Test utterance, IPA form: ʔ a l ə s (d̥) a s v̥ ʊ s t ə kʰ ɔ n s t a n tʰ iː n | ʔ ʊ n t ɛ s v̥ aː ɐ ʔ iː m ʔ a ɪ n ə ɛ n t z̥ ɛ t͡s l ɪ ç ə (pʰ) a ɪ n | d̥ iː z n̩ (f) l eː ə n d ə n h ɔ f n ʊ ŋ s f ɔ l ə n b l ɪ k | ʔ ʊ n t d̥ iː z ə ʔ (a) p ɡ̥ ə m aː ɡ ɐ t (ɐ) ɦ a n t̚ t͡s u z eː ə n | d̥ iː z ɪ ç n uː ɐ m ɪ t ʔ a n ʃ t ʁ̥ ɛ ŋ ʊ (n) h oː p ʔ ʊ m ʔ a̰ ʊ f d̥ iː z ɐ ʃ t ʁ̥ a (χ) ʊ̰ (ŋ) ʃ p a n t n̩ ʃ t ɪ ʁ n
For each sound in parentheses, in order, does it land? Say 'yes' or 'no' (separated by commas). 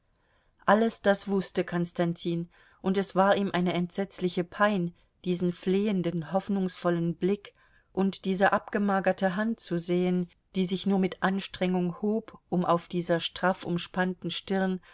yes, yes, yes, yes, no, no, no, no